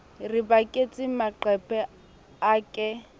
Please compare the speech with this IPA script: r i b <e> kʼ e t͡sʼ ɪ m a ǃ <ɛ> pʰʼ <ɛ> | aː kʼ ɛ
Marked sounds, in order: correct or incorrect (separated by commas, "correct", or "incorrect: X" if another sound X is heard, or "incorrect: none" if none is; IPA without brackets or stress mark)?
incorrect: a, correct, correct